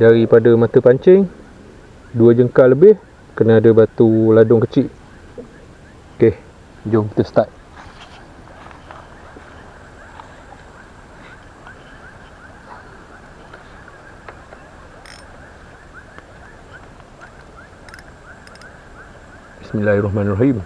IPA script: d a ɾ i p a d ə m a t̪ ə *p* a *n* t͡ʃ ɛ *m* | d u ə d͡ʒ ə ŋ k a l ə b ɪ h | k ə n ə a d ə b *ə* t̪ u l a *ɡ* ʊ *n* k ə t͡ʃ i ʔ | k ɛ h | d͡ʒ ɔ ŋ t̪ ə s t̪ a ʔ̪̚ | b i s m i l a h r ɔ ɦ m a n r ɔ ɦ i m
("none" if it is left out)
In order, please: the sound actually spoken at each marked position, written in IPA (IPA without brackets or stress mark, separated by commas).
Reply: p, ɲ, ŋ, a, d, ŋ